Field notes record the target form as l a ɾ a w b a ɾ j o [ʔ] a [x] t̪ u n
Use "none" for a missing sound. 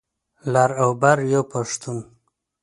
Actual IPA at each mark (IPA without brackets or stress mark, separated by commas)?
p, ʂ